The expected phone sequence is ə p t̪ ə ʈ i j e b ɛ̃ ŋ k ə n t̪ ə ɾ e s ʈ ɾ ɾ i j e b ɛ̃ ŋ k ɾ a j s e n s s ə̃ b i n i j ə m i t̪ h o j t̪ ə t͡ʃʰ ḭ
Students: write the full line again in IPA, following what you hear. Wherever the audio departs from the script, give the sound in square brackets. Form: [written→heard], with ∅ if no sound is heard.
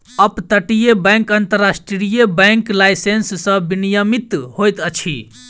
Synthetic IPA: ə p t̪ ə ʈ i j e b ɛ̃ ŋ k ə n t̪ ə ɾ [e→a] s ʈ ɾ ɾ i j e b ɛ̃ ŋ k [ɾ→l] a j s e n s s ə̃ b i n i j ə m i t̪ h o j t̪ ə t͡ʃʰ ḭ